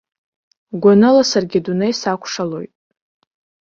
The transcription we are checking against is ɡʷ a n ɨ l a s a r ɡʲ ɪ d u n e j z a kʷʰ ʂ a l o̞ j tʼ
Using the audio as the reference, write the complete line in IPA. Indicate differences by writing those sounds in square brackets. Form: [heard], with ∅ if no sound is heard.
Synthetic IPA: ɡʷ a n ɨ l a s a r ɡʲ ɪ d u n e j [s] a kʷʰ ʂ a l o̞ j tʼ